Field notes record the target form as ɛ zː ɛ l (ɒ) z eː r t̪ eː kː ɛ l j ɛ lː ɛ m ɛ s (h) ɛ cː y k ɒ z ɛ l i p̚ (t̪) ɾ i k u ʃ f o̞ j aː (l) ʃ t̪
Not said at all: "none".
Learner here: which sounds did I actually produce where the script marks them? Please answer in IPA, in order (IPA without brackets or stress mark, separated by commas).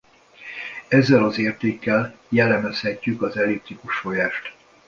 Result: ɒ, h, t̪, none